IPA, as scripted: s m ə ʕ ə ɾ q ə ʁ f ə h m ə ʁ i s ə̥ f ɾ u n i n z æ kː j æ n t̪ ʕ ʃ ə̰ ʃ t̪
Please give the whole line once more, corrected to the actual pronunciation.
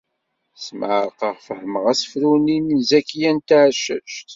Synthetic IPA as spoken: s m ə ʕ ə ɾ q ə ʁ f ə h m ə ʁ æ s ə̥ f ɾ u n i n z æ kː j æ n t̪ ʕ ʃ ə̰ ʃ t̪